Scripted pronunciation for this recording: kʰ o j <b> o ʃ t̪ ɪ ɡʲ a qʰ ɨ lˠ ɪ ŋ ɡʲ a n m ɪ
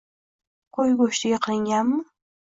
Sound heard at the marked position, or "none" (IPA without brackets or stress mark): ɡ